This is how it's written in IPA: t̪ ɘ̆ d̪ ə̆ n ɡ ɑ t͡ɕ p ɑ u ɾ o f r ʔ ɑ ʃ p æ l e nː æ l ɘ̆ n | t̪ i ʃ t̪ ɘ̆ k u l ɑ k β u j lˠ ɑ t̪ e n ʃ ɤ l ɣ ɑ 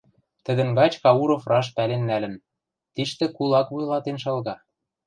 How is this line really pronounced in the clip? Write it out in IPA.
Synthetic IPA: t̪ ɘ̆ d̪ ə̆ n ɡ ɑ t͡ɕ k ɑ u ɾ o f r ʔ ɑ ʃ p æ l e nː æ l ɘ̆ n | t̪ i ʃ t̪ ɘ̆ k u l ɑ k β u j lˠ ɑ t̪ e n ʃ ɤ l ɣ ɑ